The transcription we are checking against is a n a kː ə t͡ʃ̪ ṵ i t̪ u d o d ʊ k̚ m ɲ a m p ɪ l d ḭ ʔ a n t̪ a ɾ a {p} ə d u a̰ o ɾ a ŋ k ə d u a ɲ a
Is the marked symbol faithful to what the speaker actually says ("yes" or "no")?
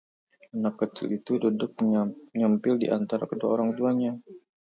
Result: no